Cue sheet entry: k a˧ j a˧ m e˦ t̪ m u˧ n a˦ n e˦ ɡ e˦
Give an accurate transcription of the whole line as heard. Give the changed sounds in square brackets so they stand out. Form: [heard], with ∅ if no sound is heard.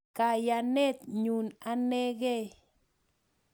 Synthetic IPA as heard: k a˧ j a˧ [n] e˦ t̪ [ɲ] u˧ n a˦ n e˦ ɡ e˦